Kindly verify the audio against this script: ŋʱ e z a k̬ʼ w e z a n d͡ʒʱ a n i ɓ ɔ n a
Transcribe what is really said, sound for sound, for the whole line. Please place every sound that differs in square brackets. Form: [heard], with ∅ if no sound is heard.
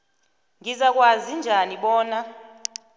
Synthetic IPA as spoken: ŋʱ [i] z a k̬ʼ w [a] z [i] n d͡ʒʱ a n i ɓ [ɔː] n a